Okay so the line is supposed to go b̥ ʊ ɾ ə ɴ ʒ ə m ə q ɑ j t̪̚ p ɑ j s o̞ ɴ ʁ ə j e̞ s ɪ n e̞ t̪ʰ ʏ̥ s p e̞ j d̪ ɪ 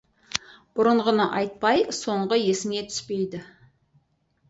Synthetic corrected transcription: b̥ ʊ ɾ ə ɴ ʁ ə n ə ʔ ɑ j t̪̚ p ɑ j s o̞ ɴ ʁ ə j e̞ s ɪ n e̞ t̪ʰ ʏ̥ s p e̞ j d̪ ɪ